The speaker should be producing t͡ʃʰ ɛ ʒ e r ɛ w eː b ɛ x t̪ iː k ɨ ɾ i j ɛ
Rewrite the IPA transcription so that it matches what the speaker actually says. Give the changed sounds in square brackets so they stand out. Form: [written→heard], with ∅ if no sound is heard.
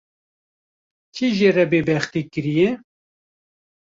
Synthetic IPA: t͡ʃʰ [ɛ→i] ʒ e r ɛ [w→b] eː b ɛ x t̪ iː k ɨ ɾ i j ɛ